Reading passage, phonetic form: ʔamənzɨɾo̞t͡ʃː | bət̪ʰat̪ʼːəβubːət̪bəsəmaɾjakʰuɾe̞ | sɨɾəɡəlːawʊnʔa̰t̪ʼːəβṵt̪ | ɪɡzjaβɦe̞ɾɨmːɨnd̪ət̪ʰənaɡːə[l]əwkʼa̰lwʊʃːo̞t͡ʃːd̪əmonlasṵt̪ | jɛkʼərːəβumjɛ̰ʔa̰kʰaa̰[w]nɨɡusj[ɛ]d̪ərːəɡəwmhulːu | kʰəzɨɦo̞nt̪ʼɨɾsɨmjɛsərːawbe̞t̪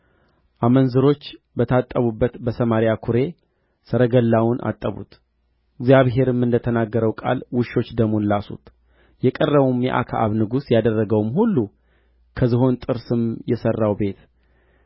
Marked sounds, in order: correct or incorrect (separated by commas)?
incorrect, incorrect, incorrect